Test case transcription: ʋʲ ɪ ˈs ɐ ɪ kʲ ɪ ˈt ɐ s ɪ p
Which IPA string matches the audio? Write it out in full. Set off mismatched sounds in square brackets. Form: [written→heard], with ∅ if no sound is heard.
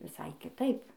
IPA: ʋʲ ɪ ˈs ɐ ɪ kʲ ɪ ˈt ɐ [s→∅] ɪ p